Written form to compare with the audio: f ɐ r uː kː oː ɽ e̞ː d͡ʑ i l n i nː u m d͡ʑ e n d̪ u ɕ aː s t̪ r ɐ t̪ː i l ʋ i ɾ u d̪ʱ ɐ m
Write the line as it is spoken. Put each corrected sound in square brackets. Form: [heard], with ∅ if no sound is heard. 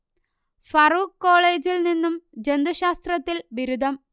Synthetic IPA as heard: f ɐ r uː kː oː [ɭ] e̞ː d͡ʑ i l n i nː u m d͡ʑ e n d̪ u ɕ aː s t̪ r ɐ t̪ː i l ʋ i ɾ u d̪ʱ ɐ m